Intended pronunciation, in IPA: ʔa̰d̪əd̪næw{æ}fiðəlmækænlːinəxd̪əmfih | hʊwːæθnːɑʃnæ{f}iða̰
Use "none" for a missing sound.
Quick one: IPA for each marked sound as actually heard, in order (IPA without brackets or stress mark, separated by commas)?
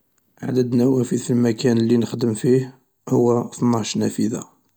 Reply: æ, f